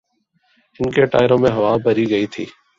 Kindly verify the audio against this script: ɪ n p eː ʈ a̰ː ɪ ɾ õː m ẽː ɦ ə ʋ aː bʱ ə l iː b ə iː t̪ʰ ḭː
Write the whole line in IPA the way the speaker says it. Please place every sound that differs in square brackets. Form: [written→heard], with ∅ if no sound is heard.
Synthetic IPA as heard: ɪ n [p→k] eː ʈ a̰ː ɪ ɾ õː m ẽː ɦ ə ʋ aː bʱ ə [l→ɾ] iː [b→ɡ] ə iː t̪ʰ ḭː